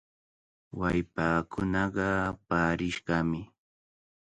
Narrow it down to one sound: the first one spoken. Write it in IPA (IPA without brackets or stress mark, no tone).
w